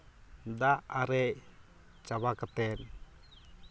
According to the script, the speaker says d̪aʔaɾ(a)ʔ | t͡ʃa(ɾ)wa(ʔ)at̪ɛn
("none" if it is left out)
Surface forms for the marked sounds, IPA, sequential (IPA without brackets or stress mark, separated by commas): ɛ, none, k